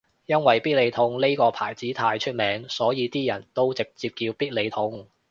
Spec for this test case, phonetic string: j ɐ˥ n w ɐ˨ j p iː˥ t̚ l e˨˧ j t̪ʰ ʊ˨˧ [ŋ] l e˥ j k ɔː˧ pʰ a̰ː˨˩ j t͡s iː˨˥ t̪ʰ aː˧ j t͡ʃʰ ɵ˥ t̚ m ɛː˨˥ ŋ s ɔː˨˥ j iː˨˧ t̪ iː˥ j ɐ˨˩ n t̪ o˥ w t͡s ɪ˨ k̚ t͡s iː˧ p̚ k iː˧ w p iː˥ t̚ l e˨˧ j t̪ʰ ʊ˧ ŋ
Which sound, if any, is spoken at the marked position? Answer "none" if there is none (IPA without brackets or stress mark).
ŋ